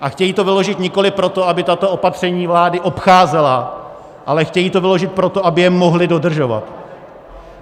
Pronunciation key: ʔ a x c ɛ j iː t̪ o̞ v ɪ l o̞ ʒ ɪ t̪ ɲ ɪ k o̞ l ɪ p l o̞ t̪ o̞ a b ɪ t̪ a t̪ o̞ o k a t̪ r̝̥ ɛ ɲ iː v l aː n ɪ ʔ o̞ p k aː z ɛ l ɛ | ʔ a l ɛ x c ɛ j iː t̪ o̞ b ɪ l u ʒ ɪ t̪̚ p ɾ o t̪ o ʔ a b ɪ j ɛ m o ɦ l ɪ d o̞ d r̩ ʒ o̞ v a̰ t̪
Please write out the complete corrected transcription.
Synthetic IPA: ʔ a x c ɛ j iː t̪ o̞ v ɪ l o̞ ʒ ɪ t̪ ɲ ɪ k o̞ l ɪ p ɾ o̞ t̪ o̞ a b ɪ t̪ a t̪ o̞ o p a t̪ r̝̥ ɛ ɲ iː v l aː d ɪ ʔ o̞ p x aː z ɛ l a | ʔ a l ɛ x c ɛ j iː t̪ o̞ v ɪ l o ʒ ɪ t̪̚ p ɾ o t̪ o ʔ a b ɪ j ɛ m o ɦ l ɪ d o̞ d r̩ ʒ o̞ v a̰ t̪